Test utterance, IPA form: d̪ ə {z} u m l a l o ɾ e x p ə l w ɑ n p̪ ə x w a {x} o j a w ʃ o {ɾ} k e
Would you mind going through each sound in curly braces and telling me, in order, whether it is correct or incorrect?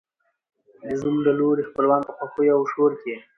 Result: correct, correct, correct

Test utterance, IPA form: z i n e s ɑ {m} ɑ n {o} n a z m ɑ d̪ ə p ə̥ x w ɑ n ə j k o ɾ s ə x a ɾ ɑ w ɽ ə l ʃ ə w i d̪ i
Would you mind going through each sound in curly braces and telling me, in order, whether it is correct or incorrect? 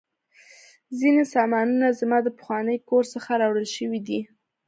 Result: correct, incorrect

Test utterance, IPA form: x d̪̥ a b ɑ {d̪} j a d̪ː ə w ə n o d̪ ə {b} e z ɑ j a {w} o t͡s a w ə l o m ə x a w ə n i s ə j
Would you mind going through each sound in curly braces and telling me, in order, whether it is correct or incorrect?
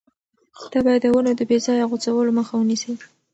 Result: incorrect, correct, incorrect

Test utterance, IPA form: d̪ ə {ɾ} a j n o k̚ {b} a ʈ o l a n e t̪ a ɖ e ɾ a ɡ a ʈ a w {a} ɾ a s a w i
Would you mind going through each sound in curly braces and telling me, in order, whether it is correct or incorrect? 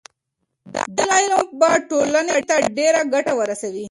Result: incorrect, correct, incorrect

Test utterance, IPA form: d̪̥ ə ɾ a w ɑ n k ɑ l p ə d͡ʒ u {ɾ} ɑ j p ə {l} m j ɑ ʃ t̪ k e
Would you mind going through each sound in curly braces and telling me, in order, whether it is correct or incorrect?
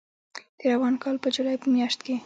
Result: incorrect, incorrect

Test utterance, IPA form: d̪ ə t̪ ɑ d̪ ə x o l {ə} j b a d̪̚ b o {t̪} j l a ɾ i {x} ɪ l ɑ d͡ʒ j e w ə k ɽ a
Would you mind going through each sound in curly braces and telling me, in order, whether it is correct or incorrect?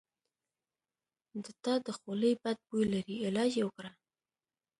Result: correct, incorrect, incorrect

